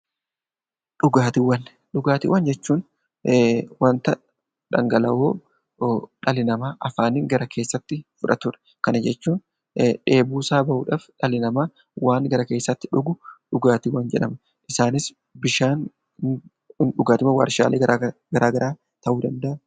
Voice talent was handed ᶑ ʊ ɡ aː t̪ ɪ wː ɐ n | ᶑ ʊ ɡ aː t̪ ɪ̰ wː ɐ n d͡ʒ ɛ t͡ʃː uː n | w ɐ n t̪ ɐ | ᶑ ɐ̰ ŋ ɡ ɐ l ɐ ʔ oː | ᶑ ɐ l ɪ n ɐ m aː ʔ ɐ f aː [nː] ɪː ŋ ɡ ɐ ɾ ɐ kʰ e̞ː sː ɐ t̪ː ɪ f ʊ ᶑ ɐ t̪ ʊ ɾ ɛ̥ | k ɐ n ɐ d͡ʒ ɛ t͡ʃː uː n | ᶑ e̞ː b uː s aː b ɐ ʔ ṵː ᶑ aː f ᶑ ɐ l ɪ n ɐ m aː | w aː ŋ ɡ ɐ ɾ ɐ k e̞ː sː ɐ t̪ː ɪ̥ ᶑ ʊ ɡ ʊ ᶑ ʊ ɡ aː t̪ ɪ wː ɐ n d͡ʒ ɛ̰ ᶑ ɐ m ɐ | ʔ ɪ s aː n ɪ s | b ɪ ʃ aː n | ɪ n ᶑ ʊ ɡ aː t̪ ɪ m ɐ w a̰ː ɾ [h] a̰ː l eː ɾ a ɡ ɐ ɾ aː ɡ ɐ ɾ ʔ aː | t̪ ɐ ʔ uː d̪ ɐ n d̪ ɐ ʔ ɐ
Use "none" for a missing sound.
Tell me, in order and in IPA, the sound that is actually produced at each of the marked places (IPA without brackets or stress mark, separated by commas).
n, ʃ